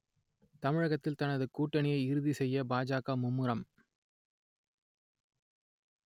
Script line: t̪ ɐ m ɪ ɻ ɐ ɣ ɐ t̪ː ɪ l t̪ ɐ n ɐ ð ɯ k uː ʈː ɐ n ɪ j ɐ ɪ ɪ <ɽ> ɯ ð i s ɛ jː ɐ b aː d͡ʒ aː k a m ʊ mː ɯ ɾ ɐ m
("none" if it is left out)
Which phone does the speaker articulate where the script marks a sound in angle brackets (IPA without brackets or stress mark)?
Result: ɾ